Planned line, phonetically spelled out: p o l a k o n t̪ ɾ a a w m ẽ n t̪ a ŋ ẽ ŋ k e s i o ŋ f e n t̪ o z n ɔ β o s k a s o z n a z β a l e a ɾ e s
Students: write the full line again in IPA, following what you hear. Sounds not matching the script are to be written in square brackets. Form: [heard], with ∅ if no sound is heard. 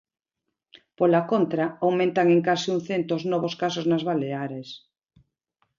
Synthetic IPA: p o l a k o n t̪ ɾ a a w m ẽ n t̪ a ŋ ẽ ŋ k [a] s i [u] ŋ [θ] e n t̪ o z n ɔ β o s k a s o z n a z β a l e a ɾ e s